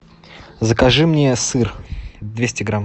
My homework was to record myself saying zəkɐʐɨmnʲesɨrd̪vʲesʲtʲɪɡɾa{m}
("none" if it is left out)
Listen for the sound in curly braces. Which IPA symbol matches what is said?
m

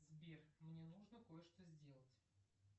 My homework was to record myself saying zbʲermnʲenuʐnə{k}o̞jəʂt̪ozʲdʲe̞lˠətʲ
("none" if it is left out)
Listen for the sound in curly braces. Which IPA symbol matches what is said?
k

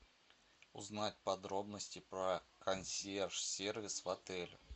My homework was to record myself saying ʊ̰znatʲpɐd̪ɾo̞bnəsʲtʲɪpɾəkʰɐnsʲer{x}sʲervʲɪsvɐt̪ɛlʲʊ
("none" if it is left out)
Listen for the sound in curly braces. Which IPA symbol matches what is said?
ʂ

